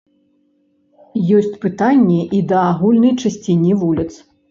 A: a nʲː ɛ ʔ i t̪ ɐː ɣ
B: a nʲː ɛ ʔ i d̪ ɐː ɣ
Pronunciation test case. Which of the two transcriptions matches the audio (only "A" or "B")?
B